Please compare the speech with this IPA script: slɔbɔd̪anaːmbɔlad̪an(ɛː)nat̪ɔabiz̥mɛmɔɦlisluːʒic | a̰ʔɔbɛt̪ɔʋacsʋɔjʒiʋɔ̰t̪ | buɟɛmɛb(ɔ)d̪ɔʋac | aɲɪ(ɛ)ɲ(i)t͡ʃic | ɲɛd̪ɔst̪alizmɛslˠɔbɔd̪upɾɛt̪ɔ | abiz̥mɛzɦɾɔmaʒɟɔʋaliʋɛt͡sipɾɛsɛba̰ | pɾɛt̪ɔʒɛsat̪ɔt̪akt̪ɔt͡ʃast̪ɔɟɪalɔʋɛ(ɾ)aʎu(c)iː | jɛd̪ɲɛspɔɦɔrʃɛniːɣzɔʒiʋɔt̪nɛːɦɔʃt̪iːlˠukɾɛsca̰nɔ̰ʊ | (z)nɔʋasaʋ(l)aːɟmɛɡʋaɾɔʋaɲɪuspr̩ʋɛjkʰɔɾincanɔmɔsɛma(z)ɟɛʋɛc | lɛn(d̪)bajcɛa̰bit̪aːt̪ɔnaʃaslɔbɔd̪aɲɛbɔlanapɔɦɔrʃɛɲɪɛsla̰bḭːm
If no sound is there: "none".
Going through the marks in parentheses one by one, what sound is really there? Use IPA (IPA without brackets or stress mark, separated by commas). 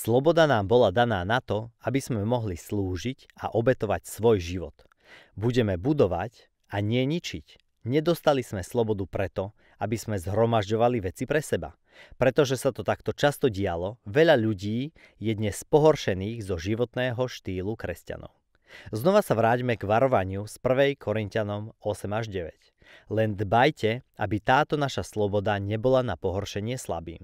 aː, u, ɛ, i, ʎ, ɟ, z, ɾ, ʒ, d̪